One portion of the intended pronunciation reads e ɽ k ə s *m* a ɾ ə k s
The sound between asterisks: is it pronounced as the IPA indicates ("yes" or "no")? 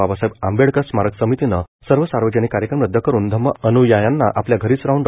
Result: yes